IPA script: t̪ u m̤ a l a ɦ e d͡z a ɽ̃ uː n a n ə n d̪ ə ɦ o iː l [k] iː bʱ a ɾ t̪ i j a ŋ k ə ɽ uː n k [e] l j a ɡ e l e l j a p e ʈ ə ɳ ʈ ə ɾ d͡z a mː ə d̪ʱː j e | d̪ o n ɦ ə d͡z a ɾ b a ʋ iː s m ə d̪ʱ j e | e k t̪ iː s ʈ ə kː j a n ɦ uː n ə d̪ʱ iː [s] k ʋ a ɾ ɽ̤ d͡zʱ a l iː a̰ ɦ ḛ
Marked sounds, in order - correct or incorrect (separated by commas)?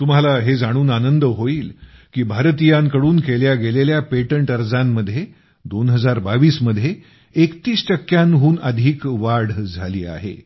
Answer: correct, correct, incorrect